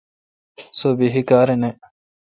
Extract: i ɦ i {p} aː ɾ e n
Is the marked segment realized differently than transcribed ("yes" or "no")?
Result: yes